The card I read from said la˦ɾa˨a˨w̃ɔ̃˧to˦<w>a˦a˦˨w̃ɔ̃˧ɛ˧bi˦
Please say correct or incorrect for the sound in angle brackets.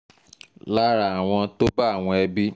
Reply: incorrect: b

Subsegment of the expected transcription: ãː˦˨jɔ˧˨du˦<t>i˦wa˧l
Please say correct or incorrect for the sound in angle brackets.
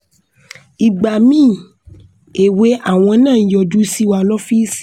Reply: incorrect: s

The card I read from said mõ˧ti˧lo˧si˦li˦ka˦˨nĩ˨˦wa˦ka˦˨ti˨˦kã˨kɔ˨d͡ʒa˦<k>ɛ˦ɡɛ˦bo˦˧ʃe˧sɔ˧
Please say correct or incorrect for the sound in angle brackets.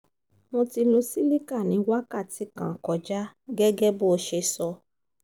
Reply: incorrect: ɡ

